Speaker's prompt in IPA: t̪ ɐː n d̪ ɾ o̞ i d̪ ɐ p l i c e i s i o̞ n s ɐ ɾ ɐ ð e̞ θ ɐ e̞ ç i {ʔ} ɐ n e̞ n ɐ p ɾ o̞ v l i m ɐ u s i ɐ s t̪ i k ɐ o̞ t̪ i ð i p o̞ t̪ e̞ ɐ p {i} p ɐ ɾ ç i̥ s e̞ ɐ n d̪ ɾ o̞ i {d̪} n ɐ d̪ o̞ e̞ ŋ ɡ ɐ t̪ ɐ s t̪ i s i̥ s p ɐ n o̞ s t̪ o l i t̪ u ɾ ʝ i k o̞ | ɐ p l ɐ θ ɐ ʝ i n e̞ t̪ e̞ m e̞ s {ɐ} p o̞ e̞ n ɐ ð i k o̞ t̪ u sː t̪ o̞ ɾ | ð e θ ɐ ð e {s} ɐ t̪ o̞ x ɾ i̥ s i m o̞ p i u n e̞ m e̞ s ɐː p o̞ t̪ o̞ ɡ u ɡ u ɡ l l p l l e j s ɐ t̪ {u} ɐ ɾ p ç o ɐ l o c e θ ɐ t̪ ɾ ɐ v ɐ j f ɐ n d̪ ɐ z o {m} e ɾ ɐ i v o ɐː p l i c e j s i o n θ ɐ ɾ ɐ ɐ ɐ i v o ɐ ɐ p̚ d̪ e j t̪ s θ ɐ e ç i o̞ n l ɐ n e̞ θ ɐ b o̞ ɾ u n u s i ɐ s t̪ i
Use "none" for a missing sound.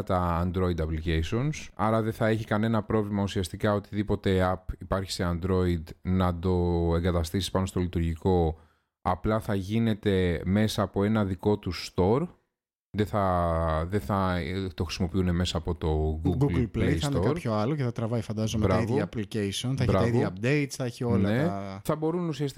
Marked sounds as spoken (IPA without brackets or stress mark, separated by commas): k, i, d̪, ɐː, θ, o, m